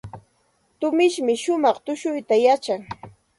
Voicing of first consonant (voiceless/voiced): voiceless